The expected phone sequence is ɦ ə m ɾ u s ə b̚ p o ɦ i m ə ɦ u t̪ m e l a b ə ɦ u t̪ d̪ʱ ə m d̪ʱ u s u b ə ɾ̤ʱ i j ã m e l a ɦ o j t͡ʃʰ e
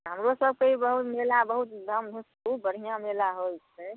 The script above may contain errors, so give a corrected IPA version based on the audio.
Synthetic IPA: ɦ ə m ɾ o s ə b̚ k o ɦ i b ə ɦ u t̪ m e l a b ə ɦ u t̪ d̪ʱ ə m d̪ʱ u s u b ə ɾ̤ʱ i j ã m e l a ɦ o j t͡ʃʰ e